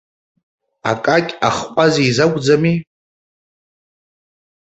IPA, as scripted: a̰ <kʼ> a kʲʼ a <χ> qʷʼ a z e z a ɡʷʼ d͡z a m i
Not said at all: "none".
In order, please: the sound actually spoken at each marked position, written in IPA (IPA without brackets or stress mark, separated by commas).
kʼ, χ